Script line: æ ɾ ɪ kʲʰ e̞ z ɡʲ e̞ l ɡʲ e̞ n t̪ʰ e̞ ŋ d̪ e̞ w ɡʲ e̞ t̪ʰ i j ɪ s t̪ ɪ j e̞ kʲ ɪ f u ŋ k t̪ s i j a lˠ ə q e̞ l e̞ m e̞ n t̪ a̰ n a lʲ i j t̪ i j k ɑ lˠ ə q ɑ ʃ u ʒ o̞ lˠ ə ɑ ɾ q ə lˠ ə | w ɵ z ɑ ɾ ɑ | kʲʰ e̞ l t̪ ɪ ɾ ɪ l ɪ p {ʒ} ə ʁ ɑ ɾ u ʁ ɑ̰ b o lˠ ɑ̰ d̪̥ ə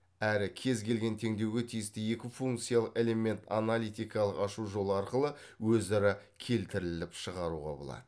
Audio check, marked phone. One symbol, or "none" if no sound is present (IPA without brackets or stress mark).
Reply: ʃ